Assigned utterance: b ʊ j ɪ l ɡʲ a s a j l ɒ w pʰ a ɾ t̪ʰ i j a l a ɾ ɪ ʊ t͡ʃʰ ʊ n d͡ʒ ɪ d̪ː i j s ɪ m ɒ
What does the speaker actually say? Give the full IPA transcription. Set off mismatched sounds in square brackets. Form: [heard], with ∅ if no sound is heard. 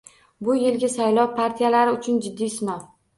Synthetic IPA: b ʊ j ɪ l ɡʲ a s a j l ɒ w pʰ a ɾ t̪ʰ i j a l a ɾ ɪ ʊ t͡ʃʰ ʊ n d͡ʒ ɪ d̪ː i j s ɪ [n] ɒ